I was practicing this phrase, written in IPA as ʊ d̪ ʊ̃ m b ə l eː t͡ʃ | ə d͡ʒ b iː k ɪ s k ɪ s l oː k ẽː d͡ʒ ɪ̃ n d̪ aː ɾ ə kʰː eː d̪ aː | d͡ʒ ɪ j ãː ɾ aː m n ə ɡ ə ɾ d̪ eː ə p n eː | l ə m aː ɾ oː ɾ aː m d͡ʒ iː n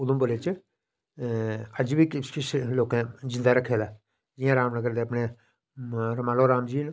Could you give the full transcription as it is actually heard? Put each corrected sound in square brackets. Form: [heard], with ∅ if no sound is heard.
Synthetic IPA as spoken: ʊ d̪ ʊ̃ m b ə l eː t͡ʃ | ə d͡ʒ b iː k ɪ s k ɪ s l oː k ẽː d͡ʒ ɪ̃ n d̪ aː ɾ ə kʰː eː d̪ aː | d͡ʒ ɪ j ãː ɾ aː m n ə ɡ ə ɾ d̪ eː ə p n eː | [ɾ] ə m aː [l] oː ɾ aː m d͡ʒ iː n